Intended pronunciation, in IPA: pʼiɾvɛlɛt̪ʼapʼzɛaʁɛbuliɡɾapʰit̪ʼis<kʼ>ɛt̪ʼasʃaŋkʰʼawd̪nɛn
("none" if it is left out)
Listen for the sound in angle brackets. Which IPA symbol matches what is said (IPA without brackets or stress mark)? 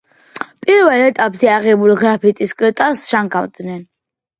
kʼ